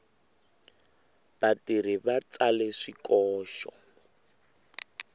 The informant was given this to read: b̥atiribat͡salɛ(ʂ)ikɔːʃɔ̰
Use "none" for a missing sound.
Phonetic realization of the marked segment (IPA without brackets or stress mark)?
ʂ